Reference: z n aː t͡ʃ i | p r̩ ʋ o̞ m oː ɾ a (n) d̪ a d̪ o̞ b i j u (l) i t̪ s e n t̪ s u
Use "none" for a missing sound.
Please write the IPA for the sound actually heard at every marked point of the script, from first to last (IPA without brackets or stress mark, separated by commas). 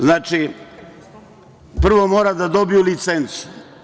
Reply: none, l